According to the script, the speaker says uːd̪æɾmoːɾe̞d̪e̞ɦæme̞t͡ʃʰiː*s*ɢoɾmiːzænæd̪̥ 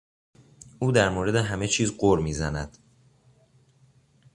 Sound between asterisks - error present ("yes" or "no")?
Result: yes